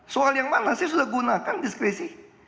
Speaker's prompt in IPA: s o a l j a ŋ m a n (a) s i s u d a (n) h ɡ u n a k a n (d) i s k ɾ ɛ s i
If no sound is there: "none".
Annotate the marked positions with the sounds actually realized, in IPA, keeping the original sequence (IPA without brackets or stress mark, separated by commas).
a, none, d